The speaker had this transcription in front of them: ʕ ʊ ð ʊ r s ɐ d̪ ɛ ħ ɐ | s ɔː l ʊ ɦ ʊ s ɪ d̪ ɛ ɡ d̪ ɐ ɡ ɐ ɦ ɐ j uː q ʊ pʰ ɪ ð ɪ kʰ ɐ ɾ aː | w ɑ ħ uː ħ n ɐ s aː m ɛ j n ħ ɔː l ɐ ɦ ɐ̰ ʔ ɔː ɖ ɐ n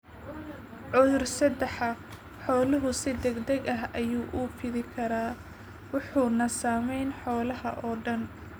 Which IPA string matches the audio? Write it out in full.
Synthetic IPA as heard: ʕ ʊ ð ʊ r s ɐ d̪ ɛ ħ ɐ | ħ ɔː l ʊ ɦ ʊ s ɪ d̪ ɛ ɡ d̪ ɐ ɡ ɐ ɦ ɐ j uː ʔ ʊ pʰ ɪ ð ɪ kʰ ɐ ɾ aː | w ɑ ħ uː n ɐ s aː m ɛ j n ħ ɔː l ɐ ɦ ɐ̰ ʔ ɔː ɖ ɐ n

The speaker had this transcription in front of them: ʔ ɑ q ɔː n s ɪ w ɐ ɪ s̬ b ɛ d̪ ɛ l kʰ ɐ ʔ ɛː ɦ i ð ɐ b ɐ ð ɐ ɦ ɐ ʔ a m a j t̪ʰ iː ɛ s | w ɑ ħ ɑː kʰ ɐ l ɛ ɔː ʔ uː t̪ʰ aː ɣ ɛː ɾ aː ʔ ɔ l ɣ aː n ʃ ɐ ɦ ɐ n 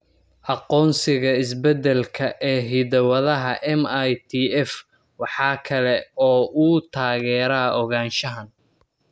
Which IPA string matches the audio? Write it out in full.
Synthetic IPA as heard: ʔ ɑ q ɔː n s ɪ ɣ ɐ ɪ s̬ b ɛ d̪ ɛ l kʰ ɐ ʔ ɛː ɦ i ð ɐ w ɐ ð ɐ ɦ ɐ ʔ ɛ m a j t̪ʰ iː ɛ f | w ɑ ħ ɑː kʰ ɐ l ɛ ɔː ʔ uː t̪ʰ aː ɣ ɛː ɾ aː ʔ ɔ ɣ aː n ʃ ɐ ɦ ɐ n

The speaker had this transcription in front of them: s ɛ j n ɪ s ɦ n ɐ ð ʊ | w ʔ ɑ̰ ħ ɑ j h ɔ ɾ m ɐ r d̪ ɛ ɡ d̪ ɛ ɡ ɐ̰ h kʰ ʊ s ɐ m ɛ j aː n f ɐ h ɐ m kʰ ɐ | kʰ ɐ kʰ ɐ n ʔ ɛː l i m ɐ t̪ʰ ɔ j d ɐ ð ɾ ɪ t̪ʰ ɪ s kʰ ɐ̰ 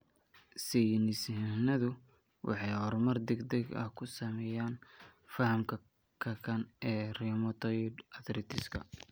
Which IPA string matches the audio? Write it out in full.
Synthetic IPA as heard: s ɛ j n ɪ s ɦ n ɐ ð ʊ | w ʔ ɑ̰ ħ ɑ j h ɔ ɾ m ɐ r d̪ ɛ ɡ d̪ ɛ ɡ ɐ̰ h kʰ ʊ s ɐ m ɛ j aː n f ɐ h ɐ m kʰ ɐ | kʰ ɐ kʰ ɐ n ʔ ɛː r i m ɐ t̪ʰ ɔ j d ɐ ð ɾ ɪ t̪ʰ ɪ s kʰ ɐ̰

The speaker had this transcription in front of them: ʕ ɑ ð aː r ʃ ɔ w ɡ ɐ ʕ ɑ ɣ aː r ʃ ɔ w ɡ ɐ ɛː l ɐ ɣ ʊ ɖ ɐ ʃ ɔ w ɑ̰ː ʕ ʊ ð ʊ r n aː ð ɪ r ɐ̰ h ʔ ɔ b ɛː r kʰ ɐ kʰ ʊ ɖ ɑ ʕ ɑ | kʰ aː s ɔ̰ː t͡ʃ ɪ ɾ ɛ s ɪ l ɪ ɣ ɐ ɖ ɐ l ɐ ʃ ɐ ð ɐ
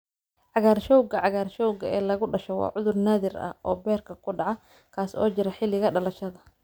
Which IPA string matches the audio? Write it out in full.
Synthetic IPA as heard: ʕ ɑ ɣ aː r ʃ ɔ w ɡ ɐ ʕ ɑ ɣ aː r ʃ ɔ w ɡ ɐ ɛː l ɐ ɣ ʊ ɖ ɐ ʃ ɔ w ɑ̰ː ʕ ʊ ð ʊ r n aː ð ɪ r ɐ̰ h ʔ ɔː b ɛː r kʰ ɐ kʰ ʊ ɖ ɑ ʕ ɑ | kʰ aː s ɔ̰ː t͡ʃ ɪ ɾ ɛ ħ ɪ l ɪ ɣ ɐ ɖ ɐ l ɐ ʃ ɐ ð ɐ

